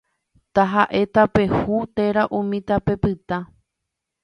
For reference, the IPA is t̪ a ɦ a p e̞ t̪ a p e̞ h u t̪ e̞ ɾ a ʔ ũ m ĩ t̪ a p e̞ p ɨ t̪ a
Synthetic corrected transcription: t̪ a ɦ a ʔ e̞ t̪ a p e̞ h u t̪ e̞ ɾ a ʔ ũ m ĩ t̪ a p e̞ p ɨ t̪ a